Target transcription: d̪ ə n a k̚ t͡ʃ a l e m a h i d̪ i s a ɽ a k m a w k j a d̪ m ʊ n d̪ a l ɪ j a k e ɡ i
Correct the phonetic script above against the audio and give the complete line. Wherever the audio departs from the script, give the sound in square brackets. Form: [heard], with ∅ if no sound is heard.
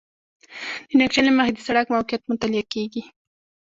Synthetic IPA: d̪ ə n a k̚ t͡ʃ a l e m a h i d̪ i s a ɽ a k m a w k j a [t̪] m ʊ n [t̪] a l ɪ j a k e ɡ i

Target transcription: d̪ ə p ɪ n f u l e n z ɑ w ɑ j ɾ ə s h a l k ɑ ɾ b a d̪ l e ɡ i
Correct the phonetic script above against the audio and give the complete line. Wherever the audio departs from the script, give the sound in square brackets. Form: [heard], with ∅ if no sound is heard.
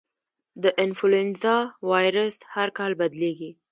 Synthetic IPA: d̪ ə [ʔ] ɪ n f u l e n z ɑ w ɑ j ɾ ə s h a [ɾ] k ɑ [l] b a d̪ l e ɡ i

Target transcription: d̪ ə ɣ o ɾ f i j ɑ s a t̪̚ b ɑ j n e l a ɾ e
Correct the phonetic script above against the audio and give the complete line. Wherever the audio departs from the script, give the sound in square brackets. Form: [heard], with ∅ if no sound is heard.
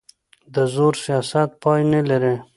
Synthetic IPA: d̪ ə [z] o ɾ [s] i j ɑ s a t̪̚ [p] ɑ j n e l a ɾ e

